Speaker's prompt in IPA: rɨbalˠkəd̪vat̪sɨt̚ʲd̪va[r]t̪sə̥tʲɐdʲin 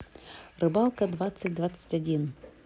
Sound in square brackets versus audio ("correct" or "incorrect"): incorrect